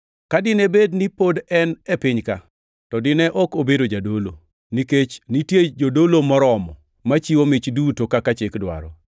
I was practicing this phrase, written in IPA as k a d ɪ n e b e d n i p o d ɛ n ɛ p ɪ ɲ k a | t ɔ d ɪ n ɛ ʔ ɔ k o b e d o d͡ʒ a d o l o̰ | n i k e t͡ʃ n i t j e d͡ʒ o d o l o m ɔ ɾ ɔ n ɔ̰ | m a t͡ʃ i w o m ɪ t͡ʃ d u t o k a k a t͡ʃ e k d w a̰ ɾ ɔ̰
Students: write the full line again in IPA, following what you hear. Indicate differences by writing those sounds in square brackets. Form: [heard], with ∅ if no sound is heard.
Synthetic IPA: k a d ɪ n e b e d n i p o d ɛ n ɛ p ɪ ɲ k a | t ɔ d ɪ n ɛ ʔ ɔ k o b e d o d͡ʒ a d o l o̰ | n i k e t͡ʃ n i t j e d͡ʒ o d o l o m ɔ ɾ ɔ [m] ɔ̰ | m a t͡ʃ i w o m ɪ t͡ʃ d u t o k a k a t͡ʃ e k d w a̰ ɾ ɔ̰